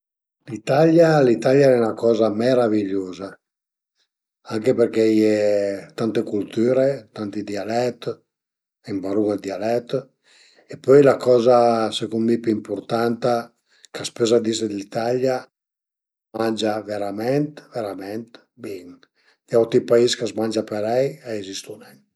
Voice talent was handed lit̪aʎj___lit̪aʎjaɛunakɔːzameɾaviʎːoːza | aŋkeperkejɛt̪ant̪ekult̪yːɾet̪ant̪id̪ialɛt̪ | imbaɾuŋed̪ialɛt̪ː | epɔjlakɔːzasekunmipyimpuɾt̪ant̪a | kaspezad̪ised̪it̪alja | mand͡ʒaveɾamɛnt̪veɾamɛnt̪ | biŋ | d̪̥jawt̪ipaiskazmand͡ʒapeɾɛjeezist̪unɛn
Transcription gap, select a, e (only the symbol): a